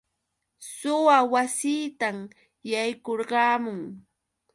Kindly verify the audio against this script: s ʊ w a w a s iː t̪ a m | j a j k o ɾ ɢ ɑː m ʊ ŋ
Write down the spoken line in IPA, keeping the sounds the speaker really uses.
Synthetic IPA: s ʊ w a w a s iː t̪ a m | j a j k o ɾ ɢ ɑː m ʊ ŋ